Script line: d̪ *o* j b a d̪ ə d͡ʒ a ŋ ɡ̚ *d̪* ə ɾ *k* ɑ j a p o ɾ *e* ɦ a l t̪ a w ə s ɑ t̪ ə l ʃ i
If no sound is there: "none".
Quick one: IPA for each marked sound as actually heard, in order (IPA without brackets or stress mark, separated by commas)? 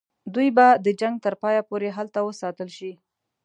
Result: u, t̪, p, e